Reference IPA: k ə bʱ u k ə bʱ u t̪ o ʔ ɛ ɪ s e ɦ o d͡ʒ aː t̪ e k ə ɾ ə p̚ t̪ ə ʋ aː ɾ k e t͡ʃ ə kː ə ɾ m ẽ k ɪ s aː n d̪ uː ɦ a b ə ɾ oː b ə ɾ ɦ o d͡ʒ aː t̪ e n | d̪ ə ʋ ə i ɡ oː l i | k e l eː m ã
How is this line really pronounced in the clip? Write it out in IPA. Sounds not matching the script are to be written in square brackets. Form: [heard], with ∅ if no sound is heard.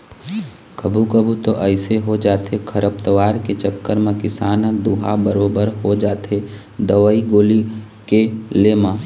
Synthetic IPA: k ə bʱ u k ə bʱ u t̪ o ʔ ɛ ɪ s e ɦ o d͡ʒ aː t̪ e [kʰ] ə ɾ ə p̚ t̪ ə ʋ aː ɾ k e t͡ʃ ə kː ə ɾ m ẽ k ɪ s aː n d̪ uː ɦ a b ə ɾ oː b ə ɾ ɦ o d͡ʒ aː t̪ e [∅] | d̪ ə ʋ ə i ɡ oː l i | k e l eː m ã